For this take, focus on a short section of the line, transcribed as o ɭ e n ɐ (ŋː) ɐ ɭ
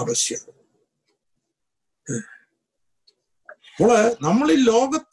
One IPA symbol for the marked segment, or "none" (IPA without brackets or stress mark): mː